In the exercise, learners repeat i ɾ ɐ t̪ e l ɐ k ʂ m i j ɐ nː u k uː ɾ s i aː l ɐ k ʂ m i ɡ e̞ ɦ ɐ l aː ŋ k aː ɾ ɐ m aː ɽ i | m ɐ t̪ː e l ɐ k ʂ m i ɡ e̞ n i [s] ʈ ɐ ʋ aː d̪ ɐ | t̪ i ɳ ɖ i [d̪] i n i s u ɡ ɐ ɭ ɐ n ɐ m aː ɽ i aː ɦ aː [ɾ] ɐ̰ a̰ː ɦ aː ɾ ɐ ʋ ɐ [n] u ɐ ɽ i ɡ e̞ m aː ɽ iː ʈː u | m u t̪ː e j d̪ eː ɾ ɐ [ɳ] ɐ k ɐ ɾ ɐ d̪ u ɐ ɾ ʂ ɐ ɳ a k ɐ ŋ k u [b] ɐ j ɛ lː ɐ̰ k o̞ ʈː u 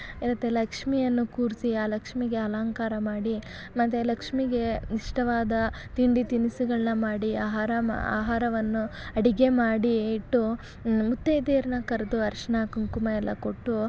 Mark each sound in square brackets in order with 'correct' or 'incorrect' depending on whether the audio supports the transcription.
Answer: incorrect: ʂ, incorrect: t̪, correct, incorrect: nː, incorrect: n, incorrect: m

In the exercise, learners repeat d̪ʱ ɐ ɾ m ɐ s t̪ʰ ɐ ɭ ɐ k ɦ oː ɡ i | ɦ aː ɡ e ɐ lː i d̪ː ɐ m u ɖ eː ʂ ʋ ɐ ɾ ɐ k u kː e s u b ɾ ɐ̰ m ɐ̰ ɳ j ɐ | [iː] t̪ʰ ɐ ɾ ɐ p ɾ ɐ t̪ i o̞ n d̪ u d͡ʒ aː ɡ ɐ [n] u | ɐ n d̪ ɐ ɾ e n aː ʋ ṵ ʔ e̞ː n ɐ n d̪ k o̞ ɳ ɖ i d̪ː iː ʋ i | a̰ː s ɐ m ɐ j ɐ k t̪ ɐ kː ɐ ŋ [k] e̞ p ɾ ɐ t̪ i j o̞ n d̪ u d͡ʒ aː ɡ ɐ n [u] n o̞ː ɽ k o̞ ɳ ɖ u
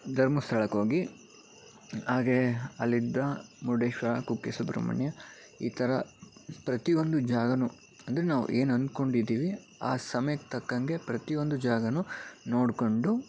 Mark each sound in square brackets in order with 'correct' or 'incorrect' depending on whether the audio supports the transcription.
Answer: correct, correct, incorrect: ɡ, correct

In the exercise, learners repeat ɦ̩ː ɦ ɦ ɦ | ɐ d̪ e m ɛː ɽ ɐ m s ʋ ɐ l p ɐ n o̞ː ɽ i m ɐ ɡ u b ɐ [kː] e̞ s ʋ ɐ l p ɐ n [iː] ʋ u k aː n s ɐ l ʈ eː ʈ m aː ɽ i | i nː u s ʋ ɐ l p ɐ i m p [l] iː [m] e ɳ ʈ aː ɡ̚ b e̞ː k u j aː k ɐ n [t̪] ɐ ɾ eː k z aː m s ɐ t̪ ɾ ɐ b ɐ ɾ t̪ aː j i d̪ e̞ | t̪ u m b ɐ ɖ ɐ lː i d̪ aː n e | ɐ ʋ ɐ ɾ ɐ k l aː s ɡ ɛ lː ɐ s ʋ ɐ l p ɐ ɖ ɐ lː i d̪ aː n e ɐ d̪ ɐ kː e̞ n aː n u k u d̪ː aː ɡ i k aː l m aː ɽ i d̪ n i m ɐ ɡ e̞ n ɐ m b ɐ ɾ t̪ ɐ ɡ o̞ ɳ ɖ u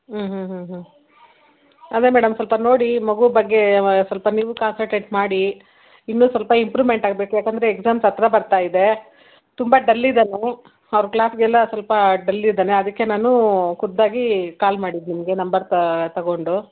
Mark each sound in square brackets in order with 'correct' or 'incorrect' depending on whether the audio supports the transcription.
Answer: incorrect: ɡː, correct, incorrect: ɾ, correct, incorrect: d̪

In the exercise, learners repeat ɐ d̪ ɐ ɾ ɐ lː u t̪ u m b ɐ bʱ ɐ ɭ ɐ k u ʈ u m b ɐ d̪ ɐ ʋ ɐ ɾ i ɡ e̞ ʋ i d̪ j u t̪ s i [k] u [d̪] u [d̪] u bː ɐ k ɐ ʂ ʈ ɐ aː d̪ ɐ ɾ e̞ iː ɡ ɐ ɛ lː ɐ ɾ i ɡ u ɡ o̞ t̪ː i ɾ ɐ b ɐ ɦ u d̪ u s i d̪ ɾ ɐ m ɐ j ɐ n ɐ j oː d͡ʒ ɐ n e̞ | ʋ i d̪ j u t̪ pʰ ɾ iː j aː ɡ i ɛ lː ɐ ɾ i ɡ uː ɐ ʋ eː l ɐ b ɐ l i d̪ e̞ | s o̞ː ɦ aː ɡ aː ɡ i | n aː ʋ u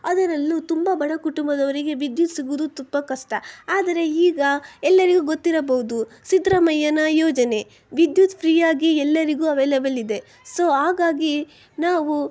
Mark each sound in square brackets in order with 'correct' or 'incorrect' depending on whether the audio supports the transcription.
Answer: incorrect: ɡ, correct, incorrect: t̪

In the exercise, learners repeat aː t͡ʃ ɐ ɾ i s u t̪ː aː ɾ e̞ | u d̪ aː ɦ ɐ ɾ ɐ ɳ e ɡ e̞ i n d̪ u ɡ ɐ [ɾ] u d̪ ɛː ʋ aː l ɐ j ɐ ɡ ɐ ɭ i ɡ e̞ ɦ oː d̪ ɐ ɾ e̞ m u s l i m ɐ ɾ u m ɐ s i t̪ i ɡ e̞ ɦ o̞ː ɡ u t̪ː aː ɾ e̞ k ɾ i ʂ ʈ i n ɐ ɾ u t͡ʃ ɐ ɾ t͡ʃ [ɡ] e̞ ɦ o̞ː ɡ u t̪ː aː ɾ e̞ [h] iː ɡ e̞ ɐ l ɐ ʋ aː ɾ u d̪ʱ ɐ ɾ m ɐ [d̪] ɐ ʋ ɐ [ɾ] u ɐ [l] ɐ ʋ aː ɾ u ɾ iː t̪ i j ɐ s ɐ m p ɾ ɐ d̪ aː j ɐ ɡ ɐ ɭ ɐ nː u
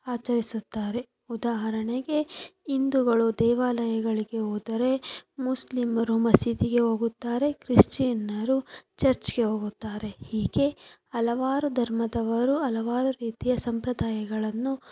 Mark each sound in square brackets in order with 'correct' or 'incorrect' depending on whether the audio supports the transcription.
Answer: incorrect: ɭ, correct, correct, correct, correct, correct

